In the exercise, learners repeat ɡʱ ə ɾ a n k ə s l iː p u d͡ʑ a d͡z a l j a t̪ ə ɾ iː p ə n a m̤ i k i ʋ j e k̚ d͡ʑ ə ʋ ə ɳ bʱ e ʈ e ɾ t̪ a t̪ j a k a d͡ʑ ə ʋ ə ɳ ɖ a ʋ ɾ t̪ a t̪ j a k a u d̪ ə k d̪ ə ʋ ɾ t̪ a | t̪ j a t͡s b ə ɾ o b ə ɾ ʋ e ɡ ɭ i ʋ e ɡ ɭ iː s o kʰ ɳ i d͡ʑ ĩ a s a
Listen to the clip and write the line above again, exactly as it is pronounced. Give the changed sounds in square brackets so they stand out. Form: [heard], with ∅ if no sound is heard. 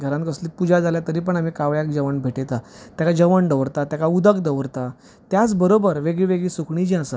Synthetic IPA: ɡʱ ə ɾ a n k ə s l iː p u d͡ʑ a d͡z a l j a t̪ ə ɾ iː p ə [ɳ] a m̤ i k [a] ʋ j [a] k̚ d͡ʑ ə ʋ ə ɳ bʱ e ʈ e [∅] t̪ a t̪ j a k a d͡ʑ ə ʋ ə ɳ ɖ [ə] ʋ ɾ t̪ a t̪ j a k a u d̪ ə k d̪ ə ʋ ɾ t̪ a | t̪ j a t͡s b ə ɾ o b ə ɾ ʋ e ɡ ɭ i ʋ e ɡ ɭ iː s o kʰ ɳ i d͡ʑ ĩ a s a